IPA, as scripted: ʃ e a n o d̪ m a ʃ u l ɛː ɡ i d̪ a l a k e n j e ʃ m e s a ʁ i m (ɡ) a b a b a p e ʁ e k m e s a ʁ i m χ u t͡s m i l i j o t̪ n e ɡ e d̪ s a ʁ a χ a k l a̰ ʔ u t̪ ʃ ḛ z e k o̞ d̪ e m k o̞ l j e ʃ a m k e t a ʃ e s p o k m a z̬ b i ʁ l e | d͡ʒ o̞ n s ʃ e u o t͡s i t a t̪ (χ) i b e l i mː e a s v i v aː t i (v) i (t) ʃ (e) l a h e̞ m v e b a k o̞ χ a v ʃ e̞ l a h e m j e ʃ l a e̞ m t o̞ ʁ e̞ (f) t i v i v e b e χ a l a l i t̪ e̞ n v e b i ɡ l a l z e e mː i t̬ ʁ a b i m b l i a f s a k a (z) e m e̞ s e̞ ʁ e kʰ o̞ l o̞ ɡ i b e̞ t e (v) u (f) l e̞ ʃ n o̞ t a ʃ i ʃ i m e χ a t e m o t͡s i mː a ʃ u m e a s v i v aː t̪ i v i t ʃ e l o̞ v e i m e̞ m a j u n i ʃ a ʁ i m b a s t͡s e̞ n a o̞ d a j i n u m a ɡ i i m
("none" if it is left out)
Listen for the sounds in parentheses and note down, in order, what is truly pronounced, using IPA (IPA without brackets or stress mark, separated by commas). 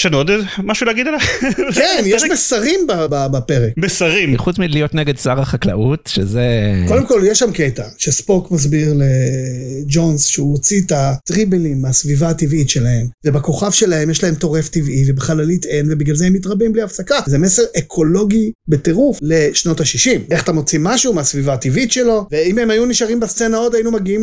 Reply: b, ʁ, v, t, e, f, z, ʁ, f